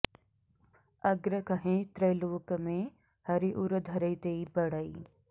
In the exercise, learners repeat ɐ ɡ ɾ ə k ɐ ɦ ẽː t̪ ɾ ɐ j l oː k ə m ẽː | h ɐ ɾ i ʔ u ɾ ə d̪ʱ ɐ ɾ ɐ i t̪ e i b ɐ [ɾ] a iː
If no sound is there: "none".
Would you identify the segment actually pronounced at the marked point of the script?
ɽ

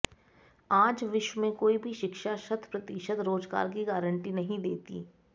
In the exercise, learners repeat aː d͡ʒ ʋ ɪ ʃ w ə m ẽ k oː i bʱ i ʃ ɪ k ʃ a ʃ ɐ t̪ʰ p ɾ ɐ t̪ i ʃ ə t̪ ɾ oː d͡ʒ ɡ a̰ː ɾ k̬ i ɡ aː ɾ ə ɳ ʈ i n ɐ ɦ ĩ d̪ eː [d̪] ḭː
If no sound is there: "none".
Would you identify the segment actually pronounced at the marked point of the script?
t̪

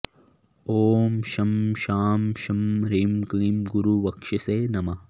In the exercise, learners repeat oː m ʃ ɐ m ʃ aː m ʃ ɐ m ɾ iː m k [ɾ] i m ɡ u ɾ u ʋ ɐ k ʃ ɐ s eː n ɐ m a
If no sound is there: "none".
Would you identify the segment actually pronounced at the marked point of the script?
l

